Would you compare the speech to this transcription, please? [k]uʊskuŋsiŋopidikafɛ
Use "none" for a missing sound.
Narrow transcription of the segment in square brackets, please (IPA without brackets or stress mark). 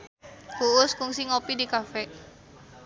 k